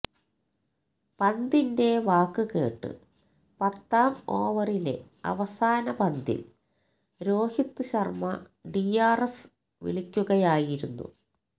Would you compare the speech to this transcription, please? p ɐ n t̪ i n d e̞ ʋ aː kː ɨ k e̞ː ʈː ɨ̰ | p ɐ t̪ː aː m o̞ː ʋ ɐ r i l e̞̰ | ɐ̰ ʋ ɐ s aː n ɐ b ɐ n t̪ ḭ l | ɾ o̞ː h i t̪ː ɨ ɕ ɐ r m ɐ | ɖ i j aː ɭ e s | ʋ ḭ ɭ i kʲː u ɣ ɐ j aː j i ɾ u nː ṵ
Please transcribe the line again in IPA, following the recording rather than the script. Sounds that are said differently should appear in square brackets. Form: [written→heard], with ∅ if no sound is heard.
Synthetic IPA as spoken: p ɐ n [t̪→d̪] i n d e̞ ʋ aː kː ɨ k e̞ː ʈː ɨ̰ | p ɐ t̪ː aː m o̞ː ʋ ɐ r i l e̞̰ | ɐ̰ ʋ ɐ s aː n ɐ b ɐ n [t̪→d̪] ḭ l | ɾ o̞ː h i t̪ː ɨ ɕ ɐ r m ɐ | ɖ i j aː [ɭ→r] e s | ʋ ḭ ɭ i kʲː u ɣ ɐ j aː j i ɾ u nː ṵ